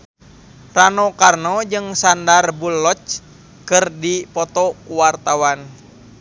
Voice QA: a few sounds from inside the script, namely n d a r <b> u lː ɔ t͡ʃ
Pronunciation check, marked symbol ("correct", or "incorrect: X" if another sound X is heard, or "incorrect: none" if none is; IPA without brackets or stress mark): correct